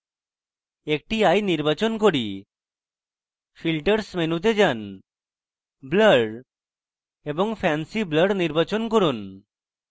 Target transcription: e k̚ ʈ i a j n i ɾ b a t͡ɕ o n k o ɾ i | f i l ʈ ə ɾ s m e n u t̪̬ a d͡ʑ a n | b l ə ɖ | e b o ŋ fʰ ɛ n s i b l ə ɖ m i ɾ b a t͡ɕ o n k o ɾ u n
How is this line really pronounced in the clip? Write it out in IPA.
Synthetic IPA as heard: e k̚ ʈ i a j n i ɾ b a t͡ɕ o n k o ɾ i | f i l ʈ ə ɾ s m e n u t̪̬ e d͡ʑ a n | b l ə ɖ | e b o ŋ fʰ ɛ n s i b l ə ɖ n i ɾ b a t͡ɕ o n k o ɾ u n